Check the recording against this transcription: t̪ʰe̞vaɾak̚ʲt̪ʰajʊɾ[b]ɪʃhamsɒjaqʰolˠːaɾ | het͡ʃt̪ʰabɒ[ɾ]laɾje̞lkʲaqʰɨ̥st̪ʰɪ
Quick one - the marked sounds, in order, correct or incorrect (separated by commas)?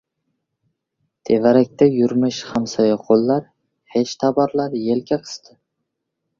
incorrect, correct